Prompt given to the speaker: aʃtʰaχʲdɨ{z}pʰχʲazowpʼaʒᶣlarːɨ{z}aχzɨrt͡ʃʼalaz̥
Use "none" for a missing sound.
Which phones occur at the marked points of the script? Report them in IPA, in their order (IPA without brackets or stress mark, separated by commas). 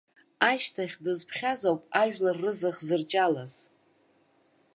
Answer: z, z